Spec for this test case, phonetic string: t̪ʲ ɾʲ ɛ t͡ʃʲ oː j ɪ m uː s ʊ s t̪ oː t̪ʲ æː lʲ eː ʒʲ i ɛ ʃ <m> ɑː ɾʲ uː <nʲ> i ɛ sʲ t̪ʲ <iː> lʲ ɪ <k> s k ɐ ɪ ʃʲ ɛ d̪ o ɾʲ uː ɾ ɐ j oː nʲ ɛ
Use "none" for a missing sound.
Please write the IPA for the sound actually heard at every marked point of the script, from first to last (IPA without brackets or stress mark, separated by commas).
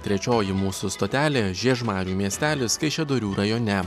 m, mʲ, æː, none